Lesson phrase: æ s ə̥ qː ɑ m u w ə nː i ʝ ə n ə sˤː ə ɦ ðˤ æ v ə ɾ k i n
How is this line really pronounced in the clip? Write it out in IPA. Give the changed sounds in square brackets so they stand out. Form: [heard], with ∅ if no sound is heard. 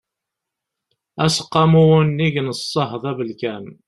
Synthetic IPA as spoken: æ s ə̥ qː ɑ m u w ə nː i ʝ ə n ə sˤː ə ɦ ðˤ æ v ə [l] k [æ] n